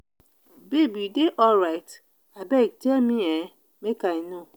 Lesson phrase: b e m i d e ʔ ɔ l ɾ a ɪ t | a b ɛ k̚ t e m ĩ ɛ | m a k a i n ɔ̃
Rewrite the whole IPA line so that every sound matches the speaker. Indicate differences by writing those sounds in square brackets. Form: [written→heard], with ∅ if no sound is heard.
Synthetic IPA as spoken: b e [m→b] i d e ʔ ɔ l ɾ a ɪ t | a b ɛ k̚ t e m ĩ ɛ | m [a→e] k a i n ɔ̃